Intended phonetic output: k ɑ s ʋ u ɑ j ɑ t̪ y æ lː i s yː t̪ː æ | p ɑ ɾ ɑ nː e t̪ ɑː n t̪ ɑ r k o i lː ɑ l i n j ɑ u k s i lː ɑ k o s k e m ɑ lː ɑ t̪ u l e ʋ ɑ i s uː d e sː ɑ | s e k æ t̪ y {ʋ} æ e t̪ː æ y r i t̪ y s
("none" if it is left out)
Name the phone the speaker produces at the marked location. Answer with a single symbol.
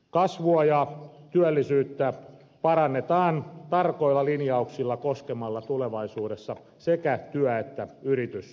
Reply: none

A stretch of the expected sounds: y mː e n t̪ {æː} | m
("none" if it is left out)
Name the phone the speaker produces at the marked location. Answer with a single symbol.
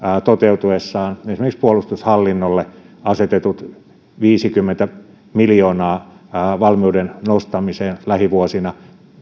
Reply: æ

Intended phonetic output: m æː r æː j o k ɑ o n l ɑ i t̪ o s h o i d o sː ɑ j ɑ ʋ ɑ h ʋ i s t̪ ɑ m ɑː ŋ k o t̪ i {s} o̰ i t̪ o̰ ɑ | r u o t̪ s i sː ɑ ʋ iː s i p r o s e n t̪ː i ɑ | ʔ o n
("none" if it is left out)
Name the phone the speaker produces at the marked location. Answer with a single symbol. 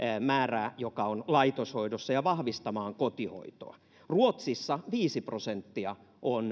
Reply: h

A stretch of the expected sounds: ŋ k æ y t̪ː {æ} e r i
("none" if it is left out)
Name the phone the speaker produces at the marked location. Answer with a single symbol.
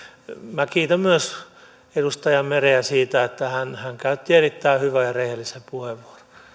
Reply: i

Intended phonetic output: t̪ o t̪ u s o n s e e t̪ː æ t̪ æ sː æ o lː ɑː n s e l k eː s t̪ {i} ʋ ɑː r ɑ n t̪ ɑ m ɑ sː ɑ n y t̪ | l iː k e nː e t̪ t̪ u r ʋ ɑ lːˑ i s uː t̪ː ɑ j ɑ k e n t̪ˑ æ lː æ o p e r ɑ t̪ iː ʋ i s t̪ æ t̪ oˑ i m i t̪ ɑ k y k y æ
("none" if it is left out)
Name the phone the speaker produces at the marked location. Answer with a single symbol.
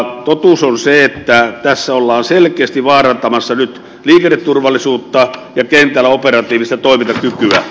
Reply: i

